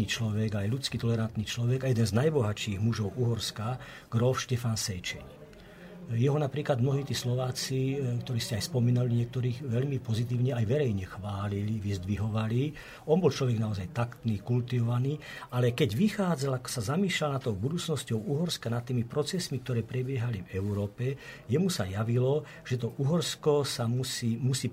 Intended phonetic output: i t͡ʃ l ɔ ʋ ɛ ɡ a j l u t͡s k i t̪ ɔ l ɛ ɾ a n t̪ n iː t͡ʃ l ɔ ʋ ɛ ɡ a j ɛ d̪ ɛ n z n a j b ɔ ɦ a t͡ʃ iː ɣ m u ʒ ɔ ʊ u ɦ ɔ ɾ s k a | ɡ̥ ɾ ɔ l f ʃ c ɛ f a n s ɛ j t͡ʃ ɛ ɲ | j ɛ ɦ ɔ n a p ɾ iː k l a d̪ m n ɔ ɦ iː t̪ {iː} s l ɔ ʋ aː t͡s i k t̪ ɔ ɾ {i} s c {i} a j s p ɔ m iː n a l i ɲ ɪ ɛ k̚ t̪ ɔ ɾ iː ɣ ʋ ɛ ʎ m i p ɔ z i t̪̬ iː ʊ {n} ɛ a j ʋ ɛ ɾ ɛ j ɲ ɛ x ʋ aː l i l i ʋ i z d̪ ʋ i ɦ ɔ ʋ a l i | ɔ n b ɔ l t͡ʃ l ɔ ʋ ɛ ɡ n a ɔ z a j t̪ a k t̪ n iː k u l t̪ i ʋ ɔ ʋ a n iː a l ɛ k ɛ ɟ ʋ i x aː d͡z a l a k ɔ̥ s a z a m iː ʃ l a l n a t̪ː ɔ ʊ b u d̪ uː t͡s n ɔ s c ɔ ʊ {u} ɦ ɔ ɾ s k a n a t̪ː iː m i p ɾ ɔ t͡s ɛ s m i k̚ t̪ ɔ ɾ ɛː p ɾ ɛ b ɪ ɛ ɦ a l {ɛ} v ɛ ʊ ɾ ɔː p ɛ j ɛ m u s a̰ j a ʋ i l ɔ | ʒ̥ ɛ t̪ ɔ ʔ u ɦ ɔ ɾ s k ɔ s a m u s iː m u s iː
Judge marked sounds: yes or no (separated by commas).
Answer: yes, no, no, no, yes, no